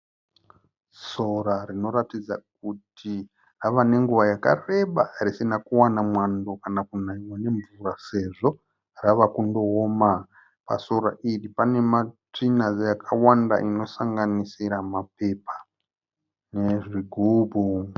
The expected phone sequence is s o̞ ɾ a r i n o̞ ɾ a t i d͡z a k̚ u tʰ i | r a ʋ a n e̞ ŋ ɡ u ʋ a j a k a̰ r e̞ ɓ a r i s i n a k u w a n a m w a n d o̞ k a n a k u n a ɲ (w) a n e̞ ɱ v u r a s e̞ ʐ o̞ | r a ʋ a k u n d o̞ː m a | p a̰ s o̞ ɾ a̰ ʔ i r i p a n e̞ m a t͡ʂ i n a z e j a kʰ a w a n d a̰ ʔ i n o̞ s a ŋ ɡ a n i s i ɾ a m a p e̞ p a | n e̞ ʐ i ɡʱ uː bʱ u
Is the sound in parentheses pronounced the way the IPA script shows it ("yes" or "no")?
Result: yes